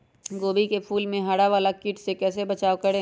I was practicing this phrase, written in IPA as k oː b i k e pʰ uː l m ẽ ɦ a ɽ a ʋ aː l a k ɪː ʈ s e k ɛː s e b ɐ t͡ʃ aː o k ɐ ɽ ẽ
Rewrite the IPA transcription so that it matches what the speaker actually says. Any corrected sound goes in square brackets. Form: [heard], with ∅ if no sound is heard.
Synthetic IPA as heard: [ɡ] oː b i k e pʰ uː l m ẽ ɦ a ɽ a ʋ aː l a k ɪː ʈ s e k ɛː s e b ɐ t͡ʃ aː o k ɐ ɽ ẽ